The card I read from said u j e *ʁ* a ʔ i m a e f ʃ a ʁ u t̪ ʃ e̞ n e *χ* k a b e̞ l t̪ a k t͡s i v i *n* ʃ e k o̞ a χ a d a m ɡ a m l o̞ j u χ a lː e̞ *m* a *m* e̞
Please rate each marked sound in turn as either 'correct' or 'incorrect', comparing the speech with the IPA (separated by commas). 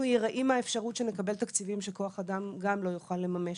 correct, incorrect, incorrect, correct, correct